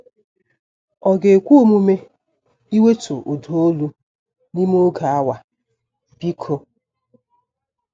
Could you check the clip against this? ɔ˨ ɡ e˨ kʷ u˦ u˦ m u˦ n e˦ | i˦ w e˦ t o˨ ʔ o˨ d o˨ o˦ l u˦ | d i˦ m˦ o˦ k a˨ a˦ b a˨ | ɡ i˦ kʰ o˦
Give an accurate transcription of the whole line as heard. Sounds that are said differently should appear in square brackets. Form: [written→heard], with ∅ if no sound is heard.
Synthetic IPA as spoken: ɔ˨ ɡ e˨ kʷ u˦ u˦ m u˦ [n→m] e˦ | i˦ w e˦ t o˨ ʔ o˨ d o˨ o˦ l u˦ | [d→n] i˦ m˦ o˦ [k→ɡ] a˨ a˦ [b→w] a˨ | [ɡ→b] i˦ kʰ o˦